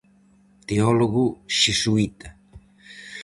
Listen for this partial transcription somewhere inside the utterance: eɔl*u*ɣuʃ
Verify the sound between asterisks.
incorrect: o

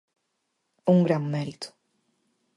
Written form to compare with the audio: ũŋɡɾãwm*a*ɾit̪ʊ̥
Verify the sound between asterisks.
incorrect: ɛ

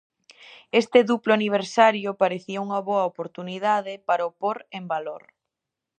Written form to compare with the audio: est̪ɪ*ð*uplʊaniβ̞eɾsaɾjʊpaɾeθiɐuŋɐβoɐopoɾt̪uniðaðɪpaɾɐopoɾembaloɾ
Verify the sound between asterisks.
correct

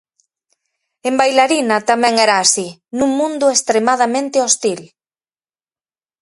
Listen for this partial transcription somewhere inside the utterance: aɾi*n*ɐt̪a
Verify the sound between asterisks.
correct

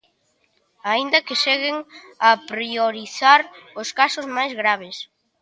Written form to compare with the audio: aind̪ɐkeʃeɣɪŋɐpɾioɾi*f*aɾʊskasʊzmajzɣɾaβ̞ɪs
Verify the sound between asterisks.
incorrect: θ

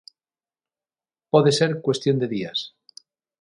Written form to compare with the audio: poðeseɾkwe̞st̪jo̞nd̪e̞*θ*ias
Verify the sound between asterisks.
incorrect: ð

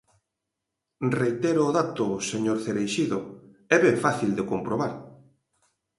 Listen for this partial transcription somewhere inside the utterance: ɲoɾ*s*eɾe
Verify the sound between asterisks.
incorrect: θ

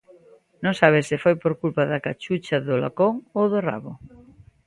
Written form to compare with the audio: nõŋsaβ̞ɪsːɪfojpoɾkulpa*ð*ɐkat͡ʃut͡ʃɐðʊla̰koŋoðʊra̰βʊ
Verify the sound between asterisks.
correct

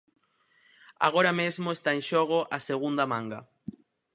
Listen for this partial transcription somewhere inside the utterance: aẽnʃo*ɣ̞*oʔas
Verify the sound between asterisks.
correct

